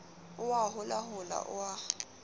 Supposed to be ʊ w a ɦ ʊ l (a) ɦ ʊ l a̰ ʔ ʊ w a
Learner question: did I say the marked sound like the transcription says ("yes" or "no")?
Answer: yes